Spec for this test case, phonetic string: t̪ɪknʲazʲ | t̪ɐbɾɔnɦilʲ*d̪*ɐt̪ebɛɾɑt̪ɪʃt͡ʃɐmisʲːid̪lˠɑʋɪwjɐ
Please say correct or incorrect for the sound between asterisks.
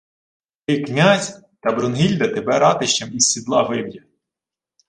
correct